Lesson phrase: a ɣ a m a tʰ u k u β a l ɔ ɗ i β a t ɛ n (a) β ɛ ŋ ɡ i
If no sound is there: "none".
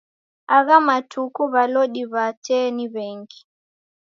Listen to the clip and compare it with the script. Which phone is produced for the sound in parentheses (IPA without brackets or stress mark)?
i